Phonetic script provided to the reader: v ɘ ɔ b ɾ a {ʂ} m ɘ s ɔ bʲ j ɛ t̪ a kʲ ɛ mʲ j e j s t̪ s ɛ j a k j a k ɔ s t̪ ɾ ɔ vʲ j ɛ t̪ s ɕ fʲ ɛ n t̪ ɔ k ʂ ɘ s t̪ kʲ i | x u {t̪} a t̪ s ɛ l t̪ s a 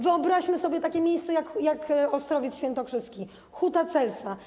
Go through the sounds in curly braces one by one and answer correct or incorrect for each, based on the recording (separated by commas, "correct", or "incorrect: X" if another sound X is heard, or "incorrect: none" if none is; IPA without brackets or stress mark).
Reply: incorrect: ɕ, correct